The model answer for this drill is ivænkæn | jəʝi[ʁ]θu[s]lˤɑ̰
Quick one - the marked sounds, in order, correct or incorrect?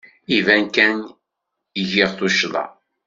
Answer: correct, incorrect

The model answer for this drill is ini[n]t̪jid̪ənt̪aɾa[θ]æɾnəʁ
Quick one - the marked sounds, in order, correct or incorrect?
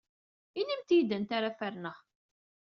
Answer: incorrect, incorrect

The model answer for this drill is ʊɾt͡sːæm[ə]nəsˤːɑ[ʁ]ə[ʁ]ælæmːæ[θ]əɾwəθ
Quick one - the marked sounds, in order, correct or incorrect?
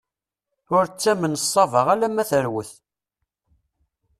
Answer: correct, incorrect, correct, correct

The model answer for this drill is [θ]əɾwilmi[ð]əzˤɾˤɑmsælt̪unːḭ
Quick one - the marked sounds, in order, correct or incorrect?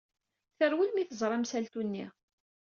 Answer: correct, incorrect

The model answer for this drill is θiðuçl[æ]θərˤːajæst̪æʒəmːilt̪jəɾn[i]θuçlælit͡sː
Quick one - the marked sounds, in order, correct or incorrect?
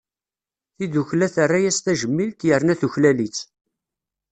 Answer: correct, incorrect

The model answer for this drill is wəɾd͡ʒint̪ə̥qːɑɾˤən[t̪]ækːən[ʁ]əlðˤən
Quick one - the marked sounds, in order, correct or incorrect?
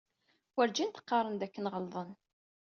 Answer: incorrect, correct

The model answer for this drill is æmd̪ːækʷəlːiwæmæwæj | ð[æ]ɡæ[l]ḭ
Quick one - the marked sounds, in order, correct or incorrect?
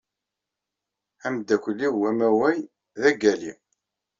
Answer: correct, correct

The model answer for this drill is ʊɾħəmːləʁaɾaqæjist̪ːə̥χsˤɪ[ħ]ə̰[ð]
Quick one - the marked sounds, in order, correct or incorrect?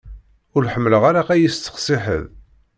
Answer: correct, correct

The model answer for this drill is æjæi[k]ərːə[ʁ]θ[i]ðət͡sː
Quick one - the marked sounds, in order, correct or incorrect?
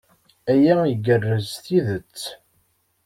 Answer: incorrect, incorrect, correct

